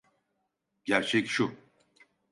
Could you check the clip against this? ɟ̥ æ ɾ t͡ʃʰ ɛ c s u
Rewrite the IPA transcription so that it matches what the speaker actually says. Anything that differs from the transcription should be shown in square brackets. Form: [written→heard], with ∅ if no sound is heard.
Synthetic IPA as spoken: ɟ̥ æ ɾ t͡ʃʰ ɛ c [s→ʃ] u

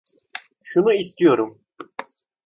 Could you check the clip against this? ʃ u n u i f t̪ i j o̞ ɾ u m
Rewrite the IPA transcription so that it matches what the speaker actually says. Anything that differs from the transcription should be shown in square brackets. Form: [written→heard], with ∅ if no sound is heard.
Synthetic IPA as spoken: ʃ u n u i [f→s] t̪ i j o̞ ɾ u m

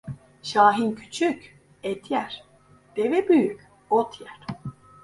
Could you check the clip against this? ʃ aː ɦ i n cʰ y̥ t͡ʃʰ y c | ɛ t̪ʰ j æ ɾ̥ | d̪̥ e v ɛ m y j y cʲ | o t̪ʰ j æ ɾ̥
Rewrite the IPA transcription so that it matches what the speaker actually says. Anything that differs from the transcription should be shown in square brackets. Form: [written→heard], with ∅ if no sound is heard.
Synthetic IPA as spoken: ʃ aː ɦ i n cʰ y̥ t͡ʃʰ y c | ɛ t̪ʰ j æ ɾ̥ | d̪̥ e v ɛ [m→b] y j y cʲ | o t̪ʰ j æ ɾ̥

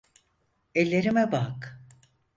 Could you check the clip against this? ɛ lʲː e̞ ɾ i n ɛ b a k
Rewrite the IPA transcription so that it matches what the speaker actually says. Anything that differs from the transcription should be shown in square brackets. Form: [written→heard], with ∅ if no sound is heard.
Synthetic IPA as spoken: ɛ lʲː e̞ ɾ i [n→m] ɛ b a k

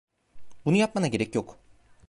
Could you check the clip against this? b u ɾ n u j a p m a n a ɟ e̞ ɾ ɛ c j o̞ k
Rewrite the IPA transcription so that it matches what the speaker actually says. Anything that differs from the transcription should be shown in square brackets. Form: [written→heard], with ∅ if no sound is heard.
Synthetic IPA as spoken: b u [ɾ→∅] n u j a p m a n a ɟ e̞ ɾ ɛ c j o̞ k

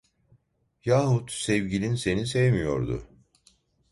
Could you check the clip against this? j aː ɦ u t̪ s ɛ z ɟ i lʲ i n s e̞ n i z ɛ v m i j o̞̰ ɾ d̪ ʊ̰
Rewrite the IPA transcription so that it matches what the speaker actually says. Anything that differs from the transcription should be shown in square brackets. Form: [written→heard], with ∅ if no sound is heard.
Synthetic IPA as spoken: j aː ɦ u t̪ s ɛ [z→v] ɟ i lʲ i n s e̞ n i [z→s] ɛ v m i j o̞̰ ɾ d̪ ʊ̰

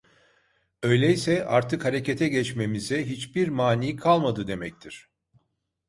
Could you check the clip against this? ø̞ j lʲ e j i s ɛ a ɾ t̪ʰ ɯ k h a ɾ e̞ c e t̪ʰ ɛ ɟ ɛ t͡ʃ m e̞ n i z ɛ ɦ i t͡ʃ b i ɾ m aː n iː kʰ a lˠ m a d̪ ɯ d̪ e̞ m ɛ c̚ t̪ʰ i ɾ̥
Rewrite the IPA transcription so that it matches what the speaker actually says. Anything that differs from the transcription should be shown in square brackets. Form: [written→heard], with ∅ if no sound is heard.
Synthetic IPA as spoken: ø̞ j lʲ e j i s ɛ a ɾ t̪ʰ ɯ k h a ɾ e̞ c e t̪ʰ ɛ ɟ ɛ t͡ʃ m e̞ [n→m] i z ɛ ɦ i t͡ʃ b i ɾ m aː n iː kʰ a lˠ m a d̪ ɯ d̪ e̞ m ɛ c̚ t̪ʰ i ɾ̥

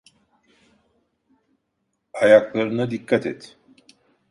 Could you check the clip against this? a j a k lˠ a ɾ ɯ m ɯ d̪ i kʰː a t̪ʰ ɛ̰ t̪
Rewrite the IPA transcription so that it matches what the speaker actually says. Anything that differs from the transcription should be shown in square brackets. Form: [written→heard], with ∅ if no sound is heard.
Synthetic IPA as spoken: a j a k lˠ a ɾ ɯ [m→n] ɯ d̪ i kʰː a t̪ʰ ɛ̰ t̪

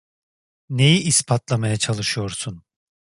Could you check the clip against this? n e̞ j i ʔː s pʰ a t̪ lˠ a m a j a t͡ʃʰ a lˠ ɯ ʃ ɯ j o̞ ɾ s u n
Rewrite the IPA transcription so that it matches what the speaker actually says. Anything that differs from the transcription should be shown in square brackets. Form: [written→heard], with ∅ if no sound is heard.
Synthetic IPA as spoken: n e̞ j i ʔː s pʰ a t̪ lˠ a m a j a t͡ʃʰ a lˠ ɯ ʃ ɯ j o̞ ɾ s u n

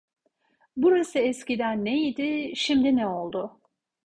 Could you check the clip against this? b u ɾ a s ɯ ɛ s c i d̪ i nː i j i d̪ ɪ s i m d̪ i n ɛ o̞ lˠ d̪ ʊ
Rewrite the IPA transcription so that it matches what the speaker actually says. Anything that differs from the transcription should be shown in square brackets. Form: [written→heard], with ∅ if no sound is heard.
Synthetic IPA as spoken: b u ɾ a s ɯ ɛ s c i d̪ [i→æ] nː [i→e] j i d̪ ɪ [s→ʃ] i m d̪ i n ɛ o̞ lˠ d̪ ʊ

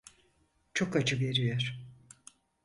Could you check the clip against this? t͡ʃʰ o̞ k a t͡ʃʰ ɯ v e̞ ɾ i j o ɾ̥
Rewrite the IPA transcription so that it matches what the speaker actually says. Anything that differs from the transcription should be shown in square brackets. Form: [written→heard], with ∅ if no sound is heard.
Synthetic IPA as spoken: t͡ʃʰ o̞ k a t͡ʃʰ ɯ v e̞ ɾ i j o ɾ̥

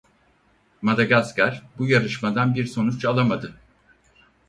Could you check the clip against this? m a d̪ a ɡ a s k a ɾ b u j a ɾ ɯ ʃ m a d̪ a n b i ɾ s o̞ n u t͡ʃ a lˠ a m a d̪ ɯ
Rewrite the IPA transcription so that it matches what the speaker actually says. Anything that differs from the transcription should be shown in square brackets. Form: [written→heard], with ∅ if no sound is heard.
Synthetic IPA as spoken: m a d̪ a ɡ a s k a ɾ b u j a ɾ ɯ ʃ m a d̪ a n b i ɾ s o̞ n u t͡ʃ a lˠ a m a d̪ ɯ

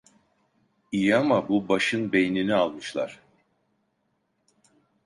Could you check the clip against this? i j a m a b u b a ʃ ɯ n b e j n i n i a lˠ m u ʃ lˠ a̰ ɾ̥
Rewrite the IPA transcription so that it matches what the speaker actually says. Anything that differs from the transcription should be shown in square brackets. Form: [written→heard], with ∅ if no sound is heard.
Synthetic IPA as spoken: i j a m a b u b a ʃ ɯ n b e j n i n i a lˠ m [u→ɯ] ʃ lˠ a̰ ɾ̥

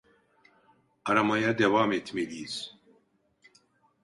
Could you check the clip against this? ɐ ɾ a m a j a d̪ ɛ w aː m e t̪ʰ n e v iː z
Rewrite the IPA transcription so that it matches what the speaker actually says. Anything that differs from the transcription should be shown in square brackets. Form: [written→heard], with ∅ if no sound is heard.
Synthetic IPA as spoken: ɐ ɾ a m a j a d̪ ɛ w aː m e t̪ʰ [n→m] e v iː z

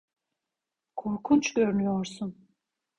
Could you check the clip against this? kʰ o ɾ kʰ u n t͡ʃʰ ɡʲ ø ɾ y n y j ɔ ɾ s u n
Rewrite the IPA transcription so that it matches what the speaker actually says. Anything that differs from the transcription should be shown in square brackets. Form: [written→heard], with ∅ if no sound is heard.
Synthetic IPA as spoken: kʰ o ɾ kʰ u n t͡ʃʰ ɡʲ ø ɾ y n y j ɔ ɾ s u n

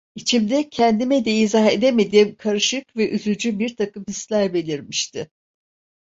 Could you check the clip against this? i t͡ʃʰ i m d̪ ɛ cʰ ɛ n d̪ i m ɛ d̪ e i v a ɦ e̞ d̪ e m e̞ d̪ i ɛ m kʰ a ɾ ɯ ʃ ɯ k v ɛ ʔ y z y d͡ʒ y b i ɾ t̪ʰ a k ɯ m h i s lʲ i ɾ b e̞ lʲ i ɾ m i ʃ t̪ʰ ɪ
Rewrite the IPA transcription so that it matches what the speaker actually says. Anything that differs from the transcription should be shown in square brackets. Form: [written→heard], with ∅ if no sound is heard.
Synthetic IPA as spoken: i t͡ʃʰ i m d̪ ɛ cʰ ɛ n d̪ i m ɛ d̪ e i [v→z] a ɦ e̞ d̪ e m e̞ d̪ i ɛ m kʰ a ɾ ɯ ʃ ɯ k v ɛ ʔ y z y d͡ʒ y b i ɾ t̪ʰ a k ɯ m h i s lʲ [i→æ] ɾ b e̞ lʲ i ɾ m i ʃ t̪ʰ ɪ

